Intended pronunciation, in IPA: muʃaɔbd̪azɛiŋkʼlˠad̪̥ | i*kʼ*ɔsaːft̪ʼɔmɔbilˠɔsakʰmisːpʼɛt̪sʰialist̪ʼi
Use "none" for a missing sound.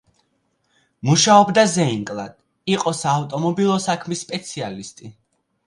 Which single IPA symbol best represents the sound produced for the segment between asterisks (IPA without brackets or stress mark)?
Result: qʼ